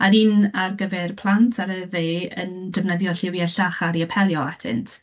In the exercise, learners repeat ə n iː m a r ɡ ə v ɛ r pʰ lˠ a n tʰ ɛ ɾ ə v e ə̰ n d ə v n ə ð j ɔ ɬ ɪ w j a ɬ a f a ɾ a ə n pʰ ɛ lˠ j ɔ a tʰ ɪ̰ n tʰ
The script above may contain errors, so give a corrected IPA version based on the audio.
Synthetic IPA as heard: a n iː n a r ɡ ə v ɛ r pʰ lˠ a n tʰ a ɾ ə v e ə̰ n d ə v n ə ð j ɔ ɬ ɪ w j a ɬ a χ a ɾ i ə pʰ ɛ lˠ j ɔ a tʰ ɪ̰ n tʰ